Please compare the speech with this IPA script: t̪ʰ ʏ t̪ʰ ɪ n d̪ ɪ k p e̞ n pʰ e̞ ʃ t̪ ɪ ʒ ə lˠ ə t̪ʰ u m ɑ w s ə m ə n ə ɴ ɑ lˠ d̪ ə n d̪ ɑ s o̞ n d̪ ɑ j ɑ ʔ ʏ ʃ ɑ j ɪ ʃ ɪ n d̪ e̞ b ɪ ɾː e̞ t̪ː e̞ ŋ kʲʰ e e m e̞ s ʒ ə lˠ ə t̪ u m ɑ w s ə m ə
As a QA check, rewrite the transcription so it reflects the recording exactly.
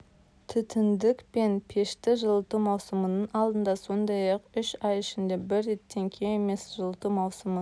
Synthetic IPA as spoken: t̪ʰ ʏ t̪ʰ ɪ n d̪ ɪ k p e̞ n pʰ e̞ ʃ t̪ ɪ ʒ ə lˠ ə t̪ u m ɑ w s ə m ə n ə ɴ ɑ lˠ d̪ ə n d̪ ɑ s o̞ n d̪ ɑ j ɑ q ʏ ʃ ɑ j ɪ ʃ ɪ n d̪ e̞ b ɪ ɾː e̞ t̪ː e̞ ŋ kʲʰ e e m e̞ s ʒ ə lˠ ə t̪ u m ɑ w s ə m ə